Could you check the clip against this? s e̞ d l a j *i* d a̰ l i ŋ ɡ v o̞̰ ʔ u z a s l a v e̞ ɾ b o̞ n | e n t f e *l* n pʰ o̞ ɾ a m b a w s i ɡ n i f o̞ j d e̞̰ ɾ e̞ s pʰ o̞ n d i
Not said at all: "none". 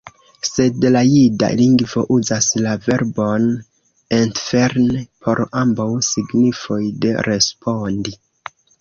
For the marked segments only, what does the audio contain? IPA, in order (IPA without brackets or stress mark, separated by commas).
i, ɾ